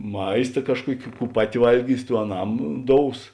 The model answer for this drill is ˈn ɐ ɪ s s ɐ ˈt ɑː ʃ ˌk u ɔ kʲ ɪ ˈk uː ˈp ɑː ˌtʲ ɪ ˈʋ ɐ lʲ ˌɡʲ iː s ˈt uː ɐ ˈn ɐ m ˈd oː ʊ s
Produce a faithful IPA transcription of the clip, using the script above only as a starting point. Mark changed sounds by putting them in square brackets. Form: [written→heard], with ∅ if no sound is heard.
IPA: [ˈn→ˈm] ɐ ɪ s [s→t] ɐ [ˈt→ˈk] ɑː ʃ ˌk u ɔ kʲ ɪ ˈk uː ˈp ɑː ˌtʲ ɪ ˈʋ ɐ lʲ ˌɡʲ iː s ˈt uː ɐ ˈn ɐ m ˈd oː ʊ s